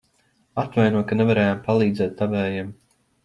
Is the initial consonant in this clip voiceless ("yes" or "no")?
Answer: yes